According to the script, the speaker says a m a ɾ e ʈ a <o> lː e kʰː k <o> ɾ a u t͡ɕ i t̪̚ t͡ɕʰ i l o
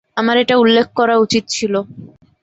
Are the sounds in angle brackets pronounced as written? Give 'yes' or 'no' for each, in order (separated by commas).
no, no